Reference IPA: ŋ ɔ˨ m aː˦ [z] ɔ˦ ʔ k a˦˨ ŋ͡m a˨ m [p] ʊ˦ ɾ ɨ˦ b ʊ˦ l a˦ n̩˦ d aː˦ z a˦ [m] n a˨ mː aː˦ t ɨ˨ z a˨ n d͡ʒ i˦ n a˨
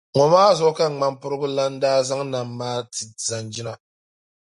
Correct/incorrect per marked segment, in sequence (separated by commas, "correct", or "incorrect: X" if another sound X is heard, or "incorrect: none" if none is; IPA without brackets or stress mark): correct, correct, incorrect: ŋ